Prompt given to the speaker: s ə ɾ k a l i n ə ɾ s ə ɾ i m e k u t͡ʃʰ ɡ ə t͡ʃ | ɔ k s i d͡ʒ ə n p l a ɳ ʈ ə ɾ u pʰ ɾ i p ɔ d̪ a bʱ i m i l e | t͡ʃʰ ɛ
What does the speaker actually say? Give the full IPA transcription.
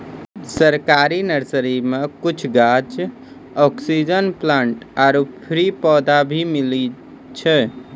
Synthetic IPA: s ə ɾ k a ɾ i n ə ɾ s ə ɾ i m e k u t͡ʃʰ ɡ a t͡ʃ | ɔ k s i d͡ʒ ə n p l a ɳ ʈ a ɾ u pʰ ɾ i p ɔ d̪ a bʱ i m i l i | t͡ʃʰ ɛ